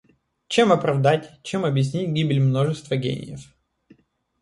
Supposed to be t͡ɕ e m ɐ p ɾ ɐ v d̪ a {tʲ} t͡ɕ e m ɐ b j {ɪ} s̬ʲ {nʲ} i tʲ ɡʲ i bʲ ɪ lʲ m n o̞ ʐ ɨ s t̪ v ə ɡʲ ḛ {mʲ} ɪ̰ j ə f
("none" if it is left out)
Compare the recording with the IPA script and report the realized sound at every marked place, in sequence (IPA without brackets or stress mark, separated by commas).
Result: tʲ, ɪ, nʲ, nʲ